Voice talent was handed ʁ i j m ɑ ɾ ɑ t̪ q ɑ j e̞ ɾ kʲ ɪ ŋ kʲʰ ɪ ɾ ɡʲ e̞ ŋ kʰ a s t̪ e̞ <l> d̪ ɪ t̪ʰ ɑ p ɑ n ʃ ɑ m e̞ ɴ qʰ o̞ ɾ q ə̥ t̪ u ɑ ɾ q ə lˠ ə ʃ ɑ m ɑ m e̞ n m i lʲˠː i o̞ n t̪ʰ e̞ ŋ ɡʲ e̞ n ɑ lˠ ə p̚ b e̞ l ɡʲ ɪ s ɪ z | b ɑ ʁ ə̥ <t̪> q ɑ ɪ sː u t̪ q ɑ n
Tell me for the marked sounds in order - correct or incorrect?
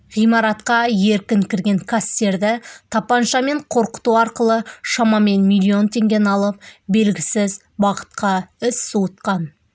incorrect: ɾ, correct

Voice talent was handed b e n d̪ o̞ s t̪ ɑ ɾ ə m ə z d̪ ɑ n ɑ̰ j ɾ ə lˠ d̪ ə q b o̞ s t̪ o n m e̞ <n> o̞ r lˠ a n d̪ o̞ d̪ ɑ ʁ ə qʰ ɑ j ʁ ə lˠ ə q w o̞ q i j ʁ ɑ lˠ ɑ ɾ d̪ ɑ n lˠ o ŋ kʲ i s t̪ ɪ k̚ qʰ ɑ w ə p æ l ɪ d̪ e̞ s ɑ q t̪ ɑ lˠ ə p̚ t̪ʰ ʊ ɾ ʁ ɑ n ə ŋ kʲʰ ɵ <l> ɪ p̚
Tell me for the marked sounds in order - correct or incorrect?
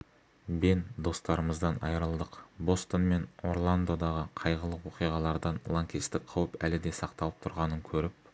correct, incorrect: ɾ

